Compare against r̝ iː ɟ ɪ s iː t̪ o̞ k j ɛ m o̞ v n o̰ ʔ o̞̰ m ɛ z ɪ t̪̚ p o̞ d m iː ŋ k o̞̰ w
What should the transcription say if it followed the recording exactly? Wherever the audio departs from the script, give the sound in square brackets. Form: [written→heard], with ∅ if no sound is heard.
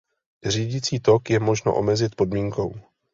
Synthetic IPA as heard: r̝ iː ɟ ɪ [s→t͡s] iː t̪ o̞ k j ɛ m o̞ [v→ʒ] n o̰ ʔ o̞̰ m ɛ z ɪ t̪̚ p o̞ d m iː ŋ k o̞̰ w